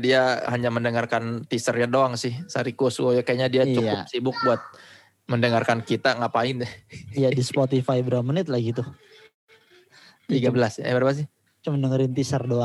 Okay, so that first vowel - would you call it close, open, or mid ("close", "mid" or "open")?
close